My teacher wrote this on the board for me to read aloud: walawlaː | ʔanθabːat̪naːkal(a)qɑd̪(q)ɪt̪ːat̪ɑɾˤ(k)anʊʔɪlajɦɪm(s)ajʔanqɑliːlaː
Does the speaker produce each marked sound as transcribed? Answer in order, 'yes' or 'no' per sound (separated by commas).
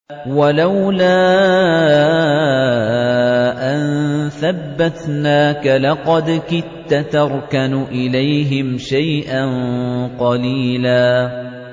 no, no, yes, no